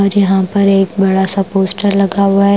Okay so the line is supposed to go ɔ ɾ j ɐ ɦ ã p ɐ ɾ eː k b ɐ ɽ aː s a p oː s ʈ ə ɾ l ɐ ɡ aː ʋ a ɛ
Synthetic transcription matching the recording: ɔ ɾ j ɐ ɦ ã p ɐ ɾ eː k b ɐ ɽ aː s a p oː s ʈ ə ɾ l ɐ ɡ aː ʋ a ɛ